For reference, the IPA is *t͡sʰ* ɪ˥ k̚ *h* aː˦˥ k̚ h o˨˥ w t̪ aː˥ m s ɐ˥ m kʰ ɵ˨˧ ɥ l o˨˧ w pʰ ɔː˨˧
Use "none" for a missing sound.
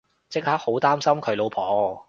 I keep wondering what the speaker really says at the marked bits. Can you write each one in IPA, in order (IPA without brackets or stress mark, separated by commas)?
t͡s, h